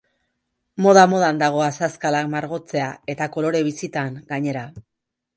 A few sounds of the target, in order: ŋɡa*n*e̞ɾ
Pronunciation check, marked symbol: incorrect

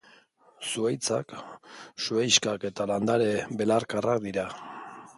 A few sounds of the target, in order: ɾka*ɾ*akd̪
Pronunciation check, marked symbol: incorrect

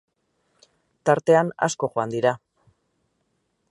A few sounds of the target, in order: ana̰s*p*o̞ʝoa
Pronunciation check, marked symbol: incorrect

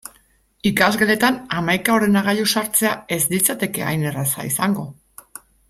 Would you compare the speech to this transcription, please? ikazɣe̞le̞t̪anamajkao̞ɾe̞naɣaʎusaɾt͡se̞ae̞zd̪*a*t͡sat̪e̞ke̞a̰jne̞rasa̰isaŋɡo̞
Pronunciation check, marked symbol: incorrect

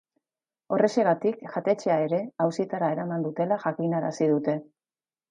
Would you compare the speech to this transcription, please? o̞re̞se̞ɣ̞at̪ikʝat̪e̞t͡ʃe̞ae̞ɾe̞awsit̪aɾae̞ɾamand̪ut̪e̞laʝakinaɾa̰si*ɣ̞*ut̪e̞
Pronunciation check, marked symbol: incorrect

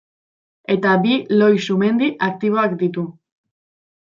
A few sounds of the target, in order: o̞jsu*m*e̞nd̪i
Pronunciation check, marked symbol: correct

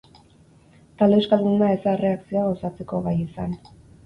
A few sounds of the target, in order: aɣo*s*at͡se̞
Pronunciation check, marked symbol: correct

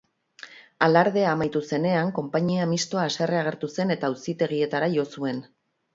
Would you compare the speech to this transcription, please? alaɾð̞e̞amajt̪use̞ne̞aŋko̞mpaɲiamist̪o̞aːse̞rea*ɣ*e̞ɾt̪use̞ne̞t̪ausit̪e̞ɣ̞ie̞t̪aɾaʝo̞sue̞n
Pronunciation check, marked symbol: correct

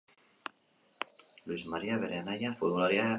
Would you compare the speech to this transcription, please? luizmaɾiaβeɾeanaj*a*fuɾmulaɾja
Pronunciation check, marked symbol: correct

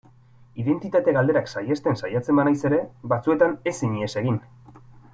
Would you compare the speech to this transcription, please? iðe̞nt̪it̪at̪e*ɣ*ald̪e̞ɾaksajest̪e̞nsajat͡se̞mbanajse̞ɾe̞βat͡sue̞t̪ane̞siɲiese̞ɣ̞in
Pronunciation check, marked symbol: correct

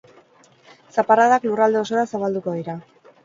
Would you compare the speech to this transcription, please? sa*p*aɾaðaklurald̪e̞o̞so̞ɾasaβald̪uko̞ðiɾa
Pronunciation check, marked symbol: correct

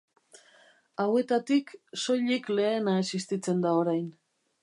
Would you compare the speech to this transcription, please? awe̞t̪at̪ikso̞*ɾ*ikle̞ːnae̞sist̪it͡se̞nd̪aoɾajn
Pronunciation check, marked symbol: incorrect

